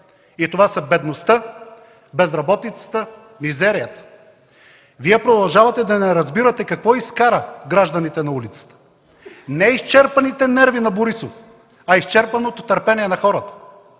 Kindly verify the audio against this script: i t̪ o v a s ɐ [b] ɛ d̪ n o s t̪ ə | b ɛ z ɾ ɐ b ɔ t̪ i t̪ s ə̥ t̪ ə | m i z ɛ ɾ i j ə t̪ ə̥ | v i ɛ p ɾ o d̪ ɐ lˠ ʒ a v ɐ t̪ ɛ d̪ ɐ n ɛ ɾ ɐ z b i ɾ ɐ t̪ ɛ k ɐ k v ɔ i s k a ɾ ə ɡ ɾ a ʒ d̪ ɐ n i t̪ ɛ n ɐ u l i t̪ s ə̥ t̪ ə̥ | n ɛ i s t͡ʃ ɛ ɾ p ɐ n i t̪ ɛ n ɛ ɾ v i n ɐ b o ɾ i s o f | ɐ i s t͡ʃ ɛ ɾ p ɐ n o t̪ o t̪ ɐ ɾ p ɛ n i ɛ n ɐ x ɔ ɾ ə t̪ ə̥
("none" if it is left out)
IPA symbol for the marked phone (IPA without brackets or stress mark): b